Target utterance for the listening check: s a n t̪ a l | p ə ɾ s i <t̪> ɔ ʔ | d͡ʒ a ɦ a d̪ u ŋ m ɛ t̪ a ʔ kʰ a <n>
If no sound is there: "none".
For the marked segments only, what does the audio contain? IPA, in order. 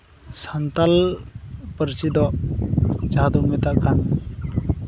d̪, n

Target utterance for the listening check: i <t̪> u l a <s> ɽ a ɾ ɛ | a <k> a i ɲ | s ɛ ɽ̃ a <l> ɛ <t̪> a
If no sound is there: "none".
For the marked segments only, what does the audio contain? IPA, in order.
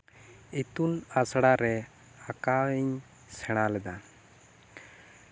t̪, s, k, l, d̪

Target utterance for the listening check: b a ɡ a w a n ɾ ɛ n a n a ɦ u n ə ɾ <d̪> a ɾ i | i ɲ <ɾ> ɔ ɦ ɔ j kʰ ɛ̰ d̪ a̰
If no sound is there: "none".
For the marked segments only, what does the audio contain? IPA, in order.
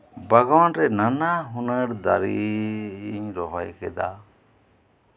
d̪, ɾ

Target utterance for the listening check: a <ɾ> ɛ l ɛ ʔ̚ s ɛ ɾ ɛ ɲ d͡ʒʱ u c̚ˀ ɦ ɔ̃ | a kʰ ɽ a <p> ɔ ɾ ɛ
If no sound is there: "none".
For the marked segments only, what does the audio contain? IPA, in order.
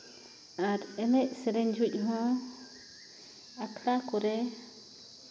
ɾ, k

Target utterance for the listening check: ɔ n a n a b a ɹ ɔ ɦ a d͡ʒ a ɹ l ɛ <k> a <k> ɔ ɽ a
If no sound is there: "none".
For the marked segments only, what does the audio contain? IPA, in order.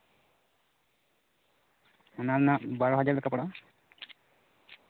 k, p

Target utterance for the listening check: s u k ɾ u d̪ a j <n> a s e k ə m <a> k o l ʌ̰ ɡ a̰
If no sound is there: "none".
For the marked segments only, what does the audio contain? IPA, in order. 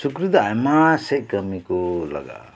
m, i

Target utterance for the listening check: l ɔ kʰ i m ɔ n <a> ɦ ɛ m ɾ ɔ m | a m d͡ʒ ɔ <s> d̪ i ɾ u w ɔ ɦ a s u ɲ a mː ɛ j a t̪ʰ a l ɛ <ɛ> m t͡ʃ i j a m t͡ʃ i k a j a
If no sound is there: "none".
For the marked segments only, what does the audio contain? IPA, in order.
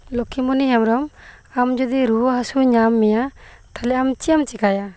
i, none, a

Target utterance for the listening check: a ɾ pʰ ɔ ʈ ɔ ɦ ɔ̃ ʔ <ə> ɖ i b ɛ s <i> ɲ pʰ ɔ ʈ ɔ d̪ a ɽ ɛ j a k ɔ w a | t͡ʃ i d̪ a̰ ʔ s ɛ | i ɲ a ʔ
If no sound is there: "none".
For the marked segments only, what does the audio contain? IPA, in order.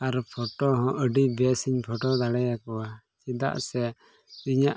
ə, i

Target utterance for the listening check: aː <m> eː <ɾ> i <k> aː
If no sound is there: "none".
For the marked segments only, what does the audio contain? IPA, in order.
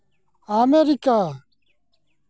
m, ɾ, k

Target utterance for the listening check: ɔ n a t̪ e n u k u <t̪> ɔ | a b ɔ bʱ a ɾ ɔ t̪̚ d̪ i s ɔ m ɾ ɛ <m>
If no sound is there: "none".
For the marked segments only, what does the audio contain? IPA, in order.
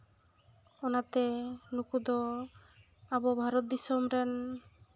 d̪, n

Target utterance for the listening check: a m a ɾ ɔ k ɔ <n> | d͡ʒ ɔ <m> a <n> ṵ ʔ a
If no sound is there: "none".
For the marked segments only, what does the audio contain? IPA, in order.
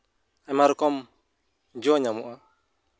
m, ɲ, m

